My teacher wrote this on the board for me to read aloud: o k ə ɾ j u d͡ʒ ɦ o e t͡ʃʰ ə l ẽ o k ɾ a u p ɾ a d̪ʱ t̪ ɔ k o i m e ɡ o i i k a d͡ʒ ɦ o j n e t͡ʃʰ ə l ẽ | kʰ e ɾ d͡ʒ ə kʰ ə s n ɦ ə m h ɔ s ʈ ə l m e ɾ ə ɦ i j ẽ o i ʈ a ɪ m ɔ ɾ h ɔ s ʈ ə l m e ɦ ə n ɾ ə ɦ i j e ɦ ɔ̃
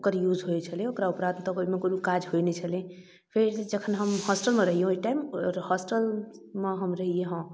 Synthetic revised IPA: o k ə ɾ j u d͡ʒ ɦ o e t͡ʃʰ ə l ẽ o k ɾ a u p ɾ a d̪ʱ t̪ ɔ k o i m e k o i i k a d͡ʒ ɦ o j n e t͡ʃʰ ə l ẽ | pʰ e ɾ d͡ʒ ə kʰ ə n ɦ ə m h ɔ s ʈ ə l m e ɾ ə ɦ i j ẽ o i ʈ a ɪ m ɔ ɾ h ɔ s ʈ ə l m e ɦ ə m ɾ ə ɦ i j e ɦ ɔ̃